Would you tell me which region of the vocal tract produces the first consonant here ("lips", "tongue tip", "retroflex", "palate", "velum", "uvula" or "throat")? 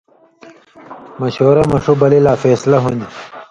lips